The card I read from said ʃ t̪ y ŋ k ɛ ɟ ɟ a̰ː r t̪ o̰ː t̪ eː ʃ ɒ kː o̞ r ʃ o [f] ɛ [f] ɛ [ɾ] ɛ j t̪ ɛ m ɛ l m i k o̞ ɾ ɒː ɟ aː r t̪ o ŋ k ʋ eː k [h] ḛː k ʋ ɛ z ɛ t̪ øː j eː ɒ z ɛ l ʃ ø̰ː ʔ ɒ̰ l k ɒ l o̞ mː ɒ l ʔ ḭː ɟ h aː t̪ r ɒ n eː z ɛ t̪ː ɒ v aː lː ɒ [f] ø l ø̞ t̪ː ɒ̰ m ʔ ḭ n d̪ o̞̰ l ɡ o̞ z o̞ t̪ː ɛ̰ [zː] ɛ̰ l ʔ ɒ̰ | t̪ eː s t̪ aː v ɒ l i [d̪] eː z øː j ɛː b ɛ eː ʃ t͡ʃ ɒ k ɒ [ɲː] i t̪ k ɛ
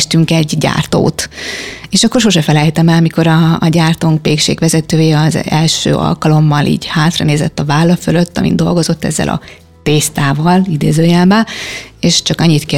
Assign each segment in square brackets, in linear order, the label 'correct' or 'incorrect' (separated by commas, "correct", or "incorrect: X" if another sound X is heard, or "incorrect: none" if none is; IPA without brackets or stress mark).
incorrect: ʃ, correct, incorrect: l, incorrect: ʃ, correct, correct, correct, correct